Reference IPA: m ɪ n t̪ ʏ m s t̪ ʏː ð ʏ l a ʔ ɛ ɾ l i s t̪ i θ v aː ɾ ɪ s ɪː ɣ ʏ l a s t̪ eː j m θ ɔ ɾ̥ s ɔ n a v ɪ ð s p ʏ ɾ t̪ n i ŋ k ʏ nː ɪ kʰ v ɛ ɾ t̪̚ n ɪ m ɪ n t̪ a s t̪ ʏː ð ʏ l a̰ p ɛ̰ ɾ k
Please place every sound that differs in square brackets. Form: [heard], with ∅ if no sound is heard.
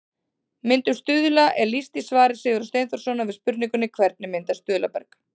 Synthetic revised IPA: m ɪ n t̪ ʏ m s t̪ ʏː ð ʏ l a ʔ ɛ ɾ l i s t̪ i [s] v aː ɾ ɪ s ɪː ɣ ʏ [ɾ] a s t̪ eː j [n] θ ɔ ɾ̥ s ɔ n a v ɪ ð s p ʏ ɾ t̪ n i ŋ k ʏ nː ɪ kʰ v ɛ ɾ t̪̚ n ɪ m ɪ n t̪ a s t̪ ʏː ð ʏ l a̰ p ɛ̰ ɾ k